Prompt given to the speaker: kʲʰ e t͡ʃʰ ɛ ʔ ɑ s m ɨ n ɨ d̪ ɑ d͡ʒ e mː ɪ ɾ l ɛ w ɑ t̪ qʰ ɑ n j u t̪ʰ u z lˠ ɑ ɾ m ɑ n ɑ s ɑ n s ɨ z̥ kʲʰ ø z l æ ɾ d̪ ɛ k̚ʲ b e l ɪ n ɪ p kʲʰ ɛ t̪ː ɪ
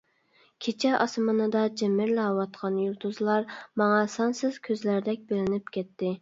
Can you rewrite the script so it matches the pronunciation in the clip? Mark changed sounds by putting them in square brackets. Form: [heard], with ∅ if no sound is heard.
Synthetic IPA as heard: kʲʰ e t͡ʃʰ ɛ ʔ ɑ s m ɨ n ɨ d̪ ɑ d͡ʒ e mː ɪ ɾ l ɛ w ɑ t̪ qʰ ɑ n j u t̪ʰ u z lˠ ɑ ɾ m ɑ [ŋ] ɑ s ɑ n s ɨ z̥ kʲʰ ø z l æ ɾ d̪ ɛ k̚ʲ b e l ɪ n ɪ p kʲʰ ɛ t̪ː ɪ